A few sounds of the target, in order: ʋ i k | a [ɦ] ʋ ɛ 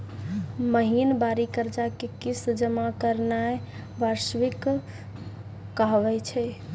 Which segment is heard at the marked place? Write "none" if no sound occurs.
ɦ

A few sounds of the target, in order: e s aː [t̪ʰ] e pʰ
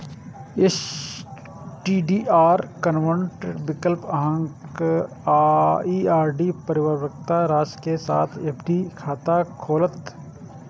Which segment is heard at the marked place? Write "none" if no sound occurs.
t̪ʰ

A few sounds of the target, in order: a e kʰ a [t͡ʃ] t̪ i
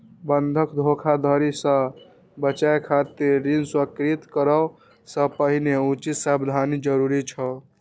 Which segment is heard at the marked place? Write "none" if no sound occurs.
none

